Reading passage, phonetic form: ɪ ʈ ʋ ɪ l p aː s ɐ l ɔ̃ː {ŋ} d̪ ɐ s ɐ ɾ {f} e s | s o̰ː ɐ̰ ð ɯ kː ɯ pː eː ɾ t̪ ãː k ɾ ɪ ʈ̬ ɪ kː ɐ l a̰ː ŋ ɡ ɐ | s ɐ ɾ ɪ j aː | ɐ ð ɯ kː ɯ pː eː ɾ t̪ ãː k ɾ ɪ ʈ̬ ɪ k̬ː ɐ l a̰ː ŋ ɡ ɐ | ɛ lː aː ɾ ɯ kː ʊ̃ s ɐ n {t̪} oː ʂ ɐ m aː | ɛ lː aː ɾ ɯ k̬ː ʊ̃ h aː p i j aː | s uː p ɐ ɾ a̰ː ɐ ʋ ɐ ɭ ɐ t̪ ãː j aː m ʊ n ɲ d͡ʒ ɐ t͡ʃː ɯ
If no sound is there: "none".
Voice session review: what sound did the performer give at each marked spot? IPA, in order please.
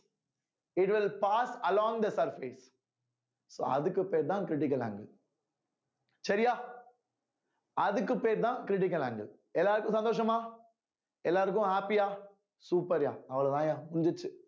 ŋ, f, d̪

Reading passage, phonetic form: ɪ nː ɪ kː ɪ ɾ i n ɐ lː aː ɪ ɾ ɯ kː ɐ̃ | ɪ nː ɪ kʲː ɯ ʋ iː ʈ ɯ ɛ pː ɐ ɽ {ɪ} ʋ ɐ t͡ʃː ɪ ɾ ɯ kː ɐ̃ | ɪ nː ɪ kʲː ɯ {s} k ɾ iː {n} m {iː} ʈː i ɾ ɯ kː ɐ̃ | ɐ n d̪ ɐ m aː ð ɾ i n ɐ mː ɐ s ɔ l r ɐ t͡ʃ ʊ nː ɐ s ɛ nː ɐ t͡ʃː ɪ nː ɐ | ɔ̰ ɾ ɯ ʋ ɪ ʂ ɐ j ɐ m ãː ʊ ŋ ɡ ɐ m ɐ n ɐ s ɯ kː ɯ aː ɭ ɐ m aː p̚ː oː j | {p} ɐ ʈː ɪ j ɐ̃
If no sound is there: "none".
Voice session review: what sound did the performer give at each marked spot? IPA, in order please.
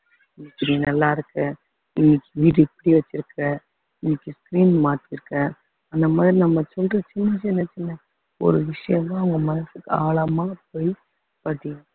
i, s, n, aː, p

